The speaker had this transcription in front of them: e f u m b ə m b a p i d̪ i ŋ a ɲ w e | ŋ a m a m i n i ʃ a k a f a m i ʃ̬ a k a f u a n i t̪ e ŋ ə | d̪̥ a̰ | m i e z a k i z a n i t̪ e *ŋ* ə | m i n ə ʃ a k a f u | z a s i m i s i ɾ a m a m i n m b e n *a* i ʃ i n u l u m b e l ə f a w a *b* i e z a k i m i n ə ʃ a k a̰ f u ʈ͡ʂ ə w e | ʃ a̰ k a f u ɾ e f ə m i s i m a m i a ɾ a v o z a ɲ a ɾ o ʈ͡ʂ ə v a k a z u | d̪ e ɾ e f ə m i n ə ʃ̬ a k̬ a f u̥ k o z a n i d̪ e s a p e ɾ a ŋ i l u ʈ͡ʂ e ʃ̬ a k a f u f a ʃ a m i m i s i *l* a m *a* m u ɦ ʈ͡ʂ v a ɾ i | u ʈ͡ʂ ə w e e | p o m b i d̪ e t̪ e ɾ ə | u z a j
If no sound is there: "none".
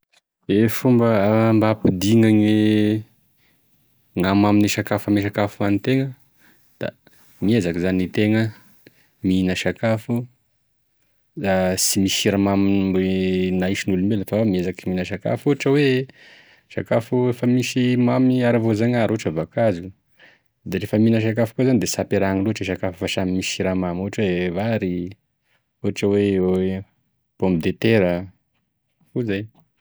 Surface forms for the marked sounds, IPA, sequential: ŋ, a, m, ɾ, a

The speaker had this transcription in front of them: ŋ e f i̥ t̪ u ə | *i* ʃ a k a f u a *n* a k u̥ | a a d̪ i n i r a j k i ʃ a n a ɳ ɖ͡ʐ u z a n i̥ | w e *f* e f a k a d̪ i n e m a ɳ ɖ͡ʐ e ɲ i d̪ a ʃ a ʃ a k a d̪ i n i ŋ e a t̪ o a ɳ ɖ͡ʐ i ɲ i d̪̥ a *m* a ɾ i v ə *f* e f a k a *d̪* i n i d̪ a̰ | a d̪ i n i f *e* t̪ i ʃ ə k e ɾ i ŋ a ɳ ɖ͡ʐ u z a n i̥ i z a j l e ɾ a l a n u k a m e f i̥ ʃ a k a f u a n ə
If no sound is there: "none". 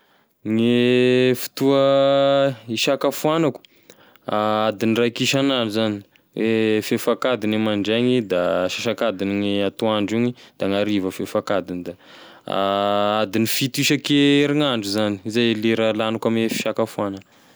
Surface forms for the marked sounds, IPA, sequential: i, n, f, ŋ, f, d̪, i

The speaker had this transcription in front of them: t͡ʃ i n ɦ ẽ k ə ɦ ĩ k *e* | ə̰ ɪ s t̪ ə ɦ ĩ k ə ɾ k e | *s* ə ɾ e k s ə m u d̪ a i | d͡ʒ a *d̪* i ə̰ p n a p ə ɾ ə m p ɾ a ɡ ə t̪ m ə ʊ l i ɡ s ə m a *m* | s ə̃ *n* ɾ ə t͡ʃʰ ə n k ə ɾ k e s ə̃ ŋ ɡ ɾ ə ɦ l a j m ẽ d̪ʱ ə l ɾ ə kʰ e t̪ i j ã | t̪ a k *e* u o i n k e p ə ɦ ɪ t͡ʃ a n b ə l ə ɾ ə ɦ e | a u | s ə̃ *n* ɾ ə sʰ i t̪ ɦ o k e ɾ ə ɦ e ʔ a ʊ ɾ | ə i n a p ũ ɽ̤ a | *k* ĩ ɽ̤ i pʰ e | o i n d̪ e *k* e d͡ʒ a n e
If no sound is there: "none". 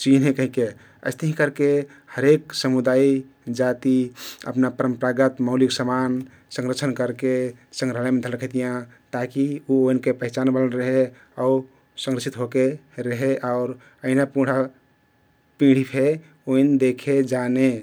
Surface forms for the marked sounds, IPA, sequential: e, h, t̪, n, ŋ, i, ŋ, p, kʰ

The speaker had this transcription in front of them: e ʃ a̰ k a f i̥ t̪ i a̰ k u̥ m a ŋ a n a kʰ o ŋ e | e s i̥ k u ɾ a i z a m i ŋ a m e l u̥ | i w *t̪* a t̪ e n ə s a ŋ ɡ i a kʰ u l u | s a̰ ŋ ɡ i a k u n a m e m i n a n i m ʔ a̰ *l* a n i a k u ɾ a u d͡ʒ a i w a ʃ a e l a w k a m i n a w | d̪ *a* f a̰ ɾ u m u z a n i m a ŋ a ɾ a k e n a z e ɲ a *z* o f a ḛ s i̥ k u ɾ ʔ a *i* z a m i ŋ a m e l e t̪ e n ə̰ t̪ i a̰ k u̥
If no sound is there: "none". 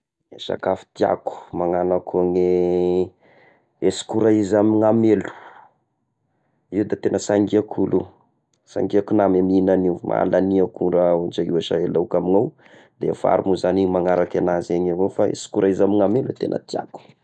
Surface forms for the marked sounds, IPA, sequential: d̪, l, e, v, i

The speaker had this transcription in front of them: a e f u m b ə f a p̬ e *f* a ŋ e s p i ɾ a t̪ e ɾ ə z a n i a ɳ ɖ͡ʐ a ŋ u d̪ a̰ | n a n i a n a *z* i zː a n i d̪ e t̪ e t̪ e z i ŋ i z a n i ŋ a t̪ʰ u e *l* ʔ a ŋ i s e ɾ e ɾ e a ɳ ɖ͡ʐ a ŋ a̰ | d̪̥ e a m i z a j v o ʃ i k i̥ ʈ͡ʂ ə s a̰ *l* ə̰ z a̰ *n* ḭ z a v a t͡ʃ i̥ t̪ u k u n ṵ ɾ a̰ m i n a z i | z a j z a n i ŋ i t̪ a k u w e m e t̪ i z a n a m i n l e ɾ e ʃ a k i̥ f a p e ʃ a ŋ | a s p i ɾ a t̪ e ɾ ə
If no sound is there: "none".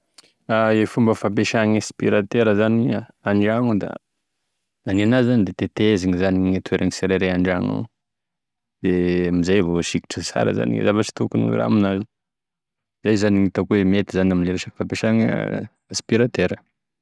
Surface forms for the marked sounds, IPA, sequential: ʃ, z, ɾ, ɾ, n

